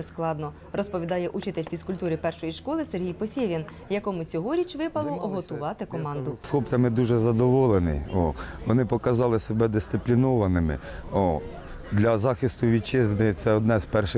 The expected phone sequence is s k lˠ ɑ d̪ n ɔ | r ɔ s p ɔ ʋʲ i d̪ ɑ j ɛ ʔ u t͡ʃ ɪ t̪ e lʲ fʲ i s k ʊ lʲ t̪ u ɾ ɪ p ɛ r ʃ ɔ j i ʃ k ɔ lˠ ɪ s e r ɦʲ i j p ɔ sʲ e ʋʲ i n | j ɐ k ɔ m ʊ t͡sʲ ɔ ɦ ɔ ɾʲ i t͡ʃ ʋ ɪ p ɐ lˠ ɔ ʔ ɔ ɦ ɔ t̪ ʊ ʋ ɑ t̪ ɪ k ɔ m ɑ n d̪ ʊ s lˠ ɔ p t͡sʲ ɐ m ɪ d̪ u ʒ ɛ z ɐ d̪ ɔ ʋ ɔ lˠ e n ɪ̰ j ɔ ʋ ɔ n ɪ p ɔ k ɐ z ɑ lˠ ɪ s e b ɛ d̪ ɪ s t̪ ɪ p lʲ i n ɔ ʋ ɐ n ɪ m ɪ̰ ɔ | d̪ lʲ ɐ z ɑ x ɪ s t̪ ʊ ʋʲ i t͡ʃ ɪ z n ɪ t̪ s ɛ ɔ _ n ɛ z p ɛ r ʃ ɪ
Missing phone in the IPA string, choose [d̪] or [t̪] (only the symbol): d̪